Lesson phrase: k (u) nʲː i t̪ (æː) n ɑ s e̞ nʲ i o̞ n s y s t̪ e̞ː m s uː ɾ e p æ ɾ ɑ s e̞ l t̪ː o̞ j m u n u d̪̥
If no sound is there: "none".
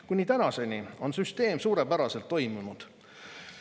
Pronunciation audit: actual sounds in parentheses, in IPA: u, æ

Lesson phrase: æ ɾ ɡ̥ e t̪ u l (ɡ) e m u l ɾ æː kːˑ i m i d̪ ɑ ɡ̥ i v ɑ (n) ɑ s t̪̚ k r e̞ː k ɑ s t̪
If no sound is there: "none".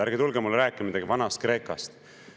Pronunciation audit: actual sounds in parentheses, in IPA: ɡ, n

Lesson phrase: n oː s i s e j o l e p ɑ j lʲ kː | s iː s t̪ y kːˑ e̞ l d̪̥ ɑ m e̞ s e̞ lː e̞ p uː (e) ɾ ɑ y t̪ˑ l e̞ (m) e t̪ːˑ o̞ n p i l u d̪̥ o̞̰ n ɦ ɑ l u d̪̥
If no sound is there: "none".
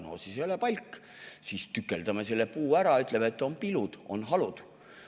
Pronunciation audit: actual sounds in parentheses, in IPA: æ, m

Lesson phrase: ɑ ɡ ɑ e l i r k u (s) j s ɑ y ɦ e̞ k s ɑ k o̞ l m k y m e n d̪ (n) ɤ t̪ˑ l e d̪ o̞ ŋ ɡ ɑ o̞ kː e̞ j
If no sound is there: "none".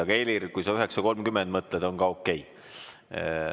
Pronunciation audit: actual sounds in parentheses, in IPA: none, m

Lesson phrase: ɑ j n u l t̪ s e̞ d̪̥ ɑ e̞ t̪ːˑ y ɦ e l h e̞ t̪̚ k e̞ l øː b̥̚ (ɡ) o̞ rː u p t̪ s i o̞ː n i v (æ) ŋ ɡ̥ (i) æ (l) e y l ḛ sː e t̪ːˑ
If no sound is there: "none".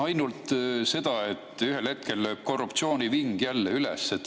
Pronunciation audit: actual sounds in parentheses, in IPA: k, i, j, lː

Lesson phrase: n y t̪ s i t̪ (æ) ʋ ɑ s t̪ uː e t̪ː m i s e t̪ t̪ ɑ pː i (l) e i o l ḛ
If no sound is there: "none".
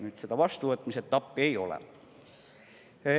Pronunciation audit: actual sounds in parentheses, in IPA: æ, none

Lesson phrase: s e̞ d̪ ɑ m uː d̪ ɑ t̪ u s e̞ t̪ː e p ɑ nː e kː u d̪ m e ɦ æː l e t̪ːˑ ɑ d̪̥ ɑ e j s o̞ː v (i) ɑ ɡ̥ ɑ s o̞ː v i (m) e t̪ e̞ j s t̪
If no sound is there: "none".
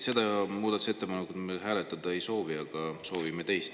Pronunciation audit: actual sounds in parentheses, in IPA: i, m

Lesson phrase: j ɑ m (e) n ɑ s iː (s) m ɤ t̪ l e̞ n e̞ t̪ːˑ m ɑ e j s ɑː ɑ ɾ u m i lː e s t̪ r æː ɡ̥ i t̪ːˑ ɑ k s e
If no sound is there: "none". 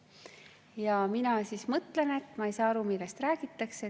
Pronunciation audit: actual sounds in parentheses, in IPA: i, s

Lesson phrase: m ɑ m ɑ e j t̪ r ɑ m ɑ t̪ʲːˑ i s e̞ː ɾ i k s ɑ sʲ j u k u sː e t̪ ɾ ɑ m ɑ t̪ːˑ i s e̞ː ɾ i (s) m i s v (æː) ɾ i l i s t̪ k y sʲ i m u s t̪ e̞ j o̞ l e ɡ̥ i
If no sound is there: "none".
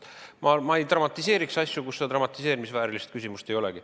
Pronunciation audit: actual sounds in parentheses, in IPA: none, æː

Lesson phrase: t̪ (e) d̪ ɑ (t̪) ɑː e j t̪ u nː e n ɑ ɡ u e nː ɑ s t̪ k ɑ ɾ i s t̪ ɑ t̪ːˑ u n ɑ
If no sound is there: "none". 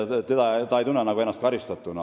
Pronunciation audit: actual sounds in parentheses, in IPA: e, t̪

